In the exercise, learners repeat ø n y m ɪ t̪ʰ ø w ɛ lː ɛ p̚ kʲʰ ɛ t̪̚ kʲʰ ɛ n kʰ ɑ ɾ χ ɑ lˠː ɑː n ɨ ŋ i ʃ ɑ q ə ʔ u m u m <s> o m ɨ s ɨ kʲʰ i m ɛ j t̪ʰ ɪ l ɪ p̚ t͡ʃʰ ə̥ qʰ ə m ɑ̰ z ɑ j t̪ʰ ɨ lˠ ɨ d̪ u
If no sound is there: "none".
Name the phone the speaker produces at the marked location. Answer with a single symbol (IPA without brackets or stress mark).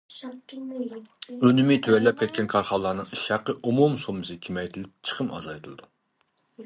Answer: s